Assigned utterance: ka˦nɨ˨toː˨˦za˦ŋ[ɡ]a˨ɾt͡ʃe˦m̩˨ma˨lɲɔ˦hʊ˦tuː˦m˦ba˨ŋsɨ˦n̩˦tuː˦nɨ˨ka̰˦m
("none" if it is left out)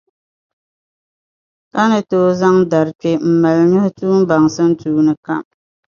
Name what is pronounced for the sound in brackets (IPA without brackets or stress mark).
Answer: d